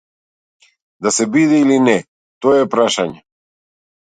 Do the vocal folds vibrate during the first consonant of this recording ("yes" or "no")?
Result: yes